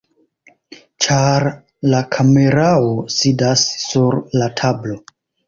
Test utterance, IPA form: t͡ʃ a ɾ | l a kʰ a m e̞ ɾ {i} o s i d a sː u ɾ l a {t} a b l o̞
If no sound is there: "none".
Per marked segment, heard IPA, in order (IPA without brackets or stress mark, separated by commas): a, tʰ